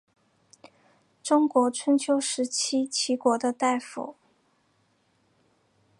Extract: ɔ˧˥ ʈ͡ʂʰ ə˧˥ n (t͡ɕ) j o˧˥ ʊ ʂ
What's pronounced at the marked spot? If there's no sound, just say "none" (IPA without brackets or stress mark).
t͡ɕʰ